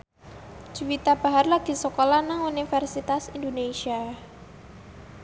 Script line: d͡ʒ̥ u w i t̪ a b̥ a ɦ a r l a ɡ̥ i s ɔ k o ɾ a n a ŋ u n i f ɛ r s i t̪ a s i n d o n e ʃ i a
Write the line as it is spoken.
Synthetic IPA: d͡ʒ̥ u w i t̪ a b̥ a ɦ a r l a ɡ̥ i s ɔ k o l a n a ŋ u n i f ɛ r s i t̪ a s i n d o n e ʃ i a

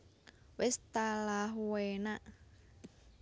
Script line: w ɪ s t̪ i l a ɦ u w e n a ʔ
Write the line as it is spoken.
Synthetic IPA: w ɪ s t̪ a l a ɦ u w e n a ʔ

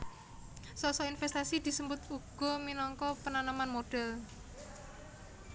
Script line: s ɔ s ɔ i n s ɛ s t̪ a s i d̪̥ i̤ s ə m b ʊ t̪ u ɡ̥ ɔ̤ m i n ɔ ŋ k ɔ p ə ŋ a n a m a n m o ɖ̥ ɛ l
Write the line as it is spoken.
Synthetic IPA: s ɔ s ɔ i n f ɛ s t̪ a s i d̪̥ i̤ s ə m b ʊ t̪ u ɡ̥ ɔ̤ m i n ɔ ŋ k ɔ p ə n a n a m a n m o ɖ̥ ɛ l

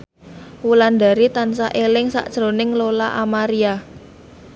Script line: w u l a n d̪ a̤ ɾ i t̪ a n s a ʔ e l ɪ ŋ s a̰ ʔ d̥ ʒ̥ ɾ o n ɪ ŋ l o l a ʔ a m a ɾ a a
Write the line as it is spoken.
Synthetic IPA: w u l a n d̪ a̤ ɾ i t̪ a n s a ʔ e l ɪ ŋ s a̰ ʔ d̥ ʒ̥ ɾ o n ɪ ŋ l o l a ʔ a m a ɾ i a

